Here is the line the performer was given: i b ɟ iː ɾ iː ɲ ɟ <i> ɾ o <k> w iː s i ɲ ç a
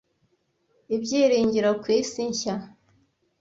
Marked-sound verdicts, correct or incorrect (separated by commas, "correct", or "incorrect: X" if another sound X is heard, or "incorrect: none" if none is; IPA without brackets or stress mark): correct, correct